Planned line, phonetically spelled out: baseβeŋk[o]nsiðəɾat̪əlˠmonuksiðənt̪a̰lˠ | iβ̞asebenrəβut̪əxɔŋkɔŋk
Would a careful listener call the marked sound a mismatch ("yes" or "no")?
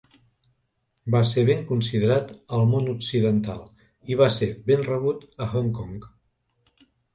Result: yes